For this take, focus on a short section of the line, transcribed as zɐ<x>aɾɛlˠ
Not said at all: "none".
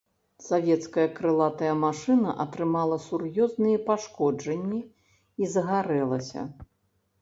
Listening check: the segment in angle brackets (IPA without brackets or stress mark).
ɣ